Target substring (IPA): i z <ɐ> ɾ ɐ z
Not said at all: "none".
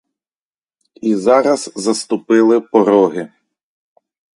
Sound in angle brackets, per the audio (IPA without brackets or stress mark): ɑ